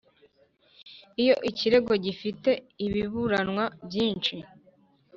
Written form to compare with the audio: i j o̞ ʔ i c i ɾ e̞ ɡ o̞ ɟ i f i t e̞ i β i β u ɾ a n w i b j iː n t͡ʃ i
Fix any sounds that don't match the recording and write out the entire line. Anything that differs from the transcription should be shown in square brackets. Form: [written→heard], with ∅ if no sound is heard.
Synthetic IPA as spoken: i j o̞ ʔ i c i ɾ e̞ ɡ o̞ ɟ i f i t e̞ i β i β u ɾ a n w [i→a] b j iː n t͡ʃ i